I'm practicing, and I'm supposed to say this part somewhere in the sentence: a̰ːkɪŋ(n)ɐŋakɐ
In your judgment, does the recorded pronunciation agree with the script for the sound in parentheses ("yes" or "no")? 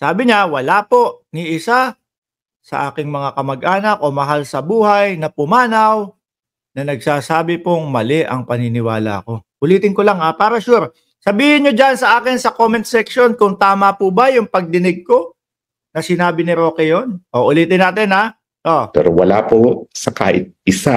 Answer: no